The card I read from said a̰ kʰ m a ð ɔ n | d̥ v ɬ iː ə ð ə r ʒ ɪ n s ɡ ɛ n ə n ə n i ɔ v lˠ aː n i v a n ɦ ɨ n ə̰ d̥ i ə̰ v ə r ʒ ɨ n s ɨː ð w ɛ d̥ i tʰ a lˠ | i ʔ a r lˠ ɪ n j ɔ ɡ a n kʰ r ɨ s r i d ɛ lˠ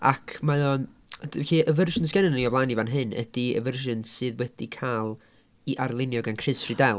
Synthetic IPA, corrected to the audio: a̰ kʰ m a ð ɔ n | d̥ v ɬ iː ə v ə r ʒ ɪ n s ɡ ɛ n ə n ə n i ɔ v lˠ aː n i v a n ɦ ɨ n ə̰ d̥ i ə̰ v ə r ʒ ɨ n s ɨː ð w ɛ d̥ i kʰ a lˠ | i ʔ a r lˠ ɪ n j ɔ ɡ a n kʰ r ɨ s r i d ɛ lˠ